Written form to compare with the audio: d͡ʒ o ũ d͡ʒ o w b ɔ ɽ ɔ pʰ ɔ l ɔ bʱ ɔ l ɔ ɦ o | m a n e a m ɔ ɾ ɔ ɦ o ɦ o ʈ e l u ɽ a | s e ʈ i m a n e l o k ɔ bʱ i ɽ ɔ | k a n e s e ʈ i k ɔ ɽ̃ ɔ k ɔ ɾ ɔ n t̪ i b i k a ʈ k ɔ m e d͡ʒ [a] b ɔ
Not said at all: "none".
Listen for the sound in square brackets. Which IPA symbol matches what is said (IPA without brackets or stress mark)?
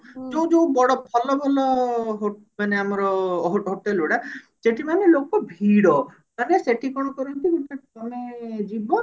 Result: i